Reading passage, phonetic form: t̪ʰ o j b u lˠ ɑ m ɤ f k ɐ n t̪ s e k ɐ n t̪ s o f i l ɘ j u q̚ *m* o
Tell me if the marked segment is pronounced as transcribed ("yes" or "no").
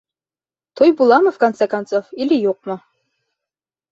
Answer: yes